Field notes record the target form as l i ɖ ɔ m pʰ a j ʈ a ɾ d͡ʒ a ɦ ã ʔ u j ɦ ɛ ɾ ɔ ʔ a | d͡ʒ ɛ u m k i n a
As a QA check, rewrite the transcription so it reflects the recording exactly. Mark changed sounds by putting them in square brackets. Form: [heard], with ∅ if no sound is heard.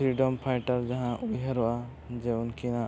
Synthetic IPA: [ɾ] i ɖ ɔ m pʰ a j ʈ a ɾ d͡ʒ a ɦ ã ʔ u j ɦ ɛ ɾ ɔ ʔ a | d͡ʒ ɛ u [n] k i n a

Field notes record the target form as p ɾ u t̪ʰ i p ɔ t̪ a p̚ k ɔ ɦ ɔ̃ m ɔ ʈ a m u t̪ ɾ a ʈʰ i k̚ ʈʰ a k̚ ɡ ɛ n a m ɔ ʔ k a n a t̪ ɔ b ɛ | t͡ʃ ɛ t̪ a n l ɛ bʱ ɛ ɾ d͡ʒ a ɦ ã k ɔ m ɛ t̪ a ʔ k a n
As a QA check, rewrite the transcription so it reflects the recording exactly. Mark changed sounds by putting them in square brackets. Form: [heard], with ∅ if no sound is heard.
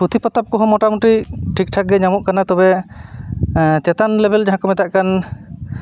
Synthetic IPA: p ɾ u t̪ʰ i p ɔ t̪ a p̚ k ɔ ɦ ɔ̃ m ɔ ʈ a m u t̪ ɾ [i] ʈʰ i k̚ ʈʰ a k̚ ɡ ɛ [ɲ] a m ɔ ʔ k a n a t̪ ɔ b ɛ | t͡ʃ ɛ t̪ a n l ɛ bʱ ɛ [l] d͡ʒ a ɦ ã k ɔ m ɛ t̪ a ʔ k a n

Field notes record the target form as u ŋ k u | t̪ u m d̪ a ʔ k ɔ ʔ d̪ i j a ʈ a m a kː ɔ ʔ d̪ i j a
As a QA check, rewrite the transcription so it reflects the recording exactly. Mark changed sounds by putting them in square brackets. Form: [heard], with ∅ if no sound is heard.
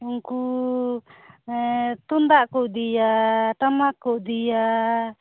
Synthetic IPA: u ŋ k u | t̪ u [n] d̪ a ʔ k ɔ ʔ d̪ i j a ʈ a m a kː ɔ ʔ d̪ i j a

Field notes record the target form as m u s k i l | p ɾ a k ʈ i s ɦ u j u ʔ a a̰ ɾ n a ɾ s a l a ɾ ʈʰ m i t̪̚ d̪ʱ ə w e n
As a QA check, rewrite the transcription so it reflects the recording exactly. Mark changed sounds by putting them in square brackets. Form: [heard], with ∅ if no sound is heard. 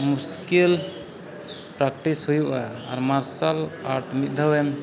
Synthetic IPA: m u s k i l | p ɾ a k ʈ i s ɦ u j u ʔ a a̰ ɾ [m] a ɾ s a l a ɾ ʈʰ m i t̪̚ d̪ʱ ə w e [m]

